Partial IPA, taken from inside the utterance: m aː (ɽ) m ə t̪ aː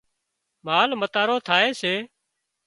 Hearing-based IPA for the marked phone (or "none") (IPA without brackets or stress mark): l